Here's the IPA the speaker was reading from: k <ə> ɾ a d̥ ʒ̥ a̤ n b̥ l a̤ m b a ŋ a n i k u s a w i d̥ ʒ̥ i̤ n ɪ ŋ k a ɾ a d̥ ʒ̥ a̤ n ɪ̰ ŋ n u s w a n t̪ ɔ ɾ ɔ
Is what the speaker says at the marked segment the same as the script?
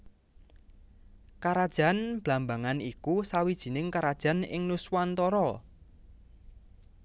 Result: no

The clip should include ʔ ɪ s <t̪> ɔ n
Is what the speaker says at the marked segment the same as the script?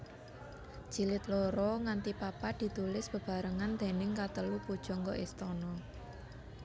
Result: yes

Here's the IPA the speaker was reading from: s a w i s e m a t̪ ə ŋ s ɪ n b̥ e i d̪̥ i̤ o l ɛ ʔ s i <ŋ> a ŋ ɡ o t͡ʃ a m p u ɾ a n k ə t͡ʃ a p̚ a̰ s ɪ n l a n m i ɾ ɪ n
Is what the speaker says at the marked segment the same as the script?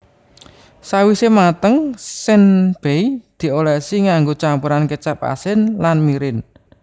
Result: yes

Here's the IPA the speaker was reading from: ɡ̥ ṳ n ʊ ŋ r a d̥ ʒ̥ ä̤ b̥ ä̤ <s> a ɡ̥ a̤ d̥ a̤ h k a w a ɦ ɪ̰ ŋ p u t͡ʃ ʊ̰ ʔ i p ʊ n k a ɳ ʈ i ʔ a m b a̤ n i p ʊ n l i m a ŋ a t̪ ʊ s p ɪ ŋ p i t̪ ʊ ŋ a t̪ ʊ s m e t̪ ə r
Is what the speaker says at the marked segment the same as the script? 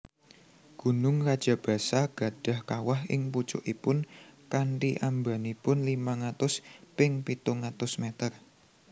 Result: yes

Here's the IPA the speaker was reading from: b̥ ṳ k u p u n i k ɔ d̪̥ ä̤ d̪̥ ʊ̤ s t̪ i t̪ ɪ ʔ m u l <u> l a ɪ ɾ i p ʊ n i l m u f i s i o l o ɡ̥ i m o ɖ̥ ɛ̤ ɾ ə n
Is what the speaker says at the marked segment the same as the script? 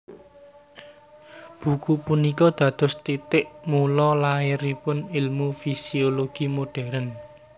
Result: no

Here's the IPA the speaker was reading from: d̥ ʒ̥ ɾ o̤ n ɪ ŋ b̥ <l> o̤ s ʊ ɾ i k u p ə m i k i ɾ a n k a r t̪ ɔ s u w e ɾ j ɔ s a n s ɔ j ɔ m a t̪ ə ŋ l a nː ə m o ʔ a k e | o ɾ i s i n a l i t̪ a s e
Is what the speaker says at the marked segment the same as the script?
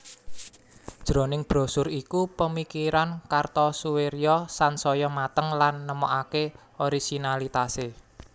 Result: no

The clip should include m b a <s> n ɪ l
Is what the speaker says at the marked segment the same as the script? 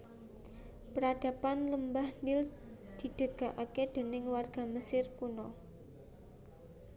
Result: no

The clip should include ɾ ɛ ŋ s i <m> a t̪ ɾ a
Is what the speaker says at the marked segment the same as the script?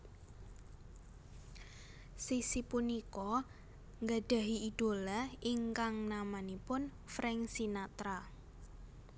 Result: no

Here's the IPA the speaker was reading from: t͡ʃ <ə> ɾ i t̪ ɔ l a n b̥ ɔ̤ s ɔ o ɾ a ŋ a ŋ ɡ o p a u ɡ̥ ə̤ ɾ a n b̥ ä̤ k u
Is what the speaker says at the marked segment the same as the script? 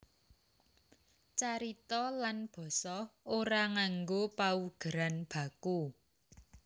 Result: no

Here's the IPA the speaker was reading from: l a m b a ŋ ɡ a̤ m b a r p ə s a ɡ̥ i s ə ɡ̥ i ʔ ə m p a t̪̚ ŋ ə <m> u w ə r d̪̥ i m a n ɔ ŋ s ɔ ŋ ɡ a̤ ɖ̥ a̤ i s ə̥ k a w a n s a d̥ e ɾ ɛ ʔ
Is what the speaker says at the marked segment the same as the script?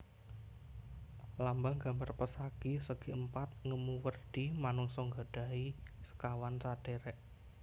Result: yes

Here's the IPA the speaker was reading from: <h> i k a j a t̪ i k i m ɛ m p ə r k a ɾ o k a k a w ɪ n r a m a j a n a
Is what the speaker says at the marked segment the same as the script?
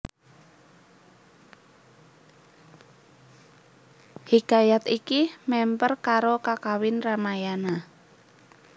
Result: yes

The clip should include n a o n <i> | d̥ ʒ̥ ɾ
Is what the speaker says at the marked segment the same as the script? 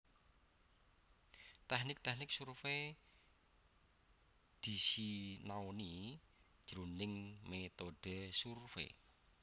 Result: yes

